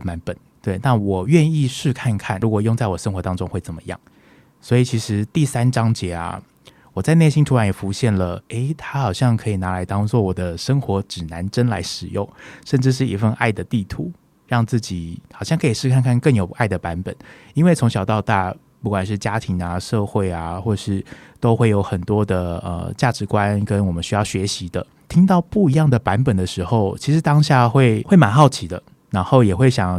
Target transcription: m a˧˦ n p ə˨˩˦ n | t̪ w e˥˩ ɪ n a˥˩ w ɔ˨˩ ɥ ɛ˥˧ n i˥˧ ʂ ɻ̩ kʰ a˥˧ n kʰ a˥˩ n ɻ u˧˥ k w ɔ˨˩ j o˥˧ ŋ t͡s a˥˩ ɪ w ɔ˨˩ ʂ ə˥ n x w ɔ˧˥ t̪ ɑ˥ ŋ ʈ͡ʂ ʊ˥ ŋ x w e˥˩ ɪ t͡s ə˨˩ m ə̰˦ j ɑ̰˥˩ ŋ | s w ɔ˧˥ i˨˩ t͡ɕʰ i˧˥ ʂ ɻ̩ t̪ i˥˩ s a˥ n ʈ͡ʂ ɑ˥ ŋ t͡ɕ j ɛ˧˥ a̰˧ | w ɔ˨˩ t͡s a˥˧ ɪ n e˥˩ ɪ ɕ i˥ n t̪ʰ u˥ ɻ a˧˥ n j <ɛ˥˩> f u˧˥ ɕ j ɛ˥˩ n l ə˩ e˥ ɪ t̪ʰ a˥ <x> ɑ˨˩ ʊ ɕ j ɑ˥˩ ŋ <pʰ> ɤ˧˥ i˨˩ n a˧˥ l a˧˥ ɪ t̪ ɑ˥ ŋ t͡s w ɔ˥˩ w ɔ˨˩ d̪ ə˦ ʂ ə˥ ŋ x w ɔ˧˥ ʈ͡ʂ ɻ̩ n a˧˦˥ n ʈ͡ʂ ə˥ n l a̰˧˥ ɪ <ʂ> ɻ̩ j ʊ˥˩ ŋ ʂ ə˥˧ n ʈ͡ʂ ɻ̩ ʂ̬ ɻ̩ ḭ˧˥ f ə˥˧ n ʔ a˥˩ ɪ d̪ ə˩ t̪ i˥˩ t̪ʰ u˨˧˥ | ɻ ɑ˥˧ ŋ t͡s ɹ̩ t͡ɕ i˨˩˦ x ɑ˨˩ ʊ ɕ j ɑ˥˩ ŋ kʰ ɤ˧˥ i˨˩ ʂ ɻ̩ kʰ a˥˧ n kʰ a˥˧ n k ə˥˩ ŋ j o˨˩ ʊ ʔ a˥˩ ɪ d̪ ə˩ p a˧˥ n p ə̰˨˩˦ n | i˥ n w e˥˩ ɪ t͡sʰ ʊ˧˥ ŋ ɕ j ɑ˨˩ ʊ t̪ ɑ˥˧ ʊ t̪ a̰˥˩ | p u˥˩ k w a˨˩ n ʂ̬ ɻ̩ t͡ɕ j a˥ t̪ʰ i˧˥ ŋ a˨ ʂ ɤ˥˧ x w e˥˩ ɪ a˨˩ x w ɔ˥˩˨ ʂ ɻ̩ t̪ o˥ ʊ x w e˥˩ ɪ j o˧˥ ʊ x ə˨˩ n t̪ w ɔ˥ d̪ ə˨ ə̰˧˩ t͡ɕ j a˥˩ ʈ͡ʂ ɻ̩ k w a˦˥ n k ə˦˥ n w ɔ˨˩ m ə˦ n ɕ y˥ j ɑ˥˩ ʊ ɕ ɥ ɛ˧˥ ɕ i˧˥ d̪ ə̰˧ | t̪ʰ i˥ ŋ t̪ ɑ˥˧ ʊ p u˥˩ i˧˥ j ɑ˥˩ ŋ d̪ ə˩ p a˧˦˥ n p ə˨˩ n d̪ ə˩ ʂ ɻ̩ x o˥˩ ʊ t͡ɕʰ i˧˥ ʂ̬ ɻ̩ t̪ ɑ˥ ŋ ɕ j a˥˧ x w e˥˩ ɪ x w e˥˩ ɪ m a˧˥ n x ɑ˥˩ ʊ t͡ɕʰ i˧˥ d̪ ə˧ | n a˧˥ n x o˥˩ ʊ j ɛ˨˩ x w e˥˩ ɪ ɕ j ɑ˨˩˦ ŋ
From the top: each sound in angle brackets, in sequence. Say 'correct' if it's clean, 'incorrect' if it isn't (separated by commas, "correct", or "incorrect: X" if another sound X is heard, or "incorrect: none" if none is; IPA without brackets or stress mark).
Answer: incorrect: ɛ˨˩, correct, incorrect: kʰ, correct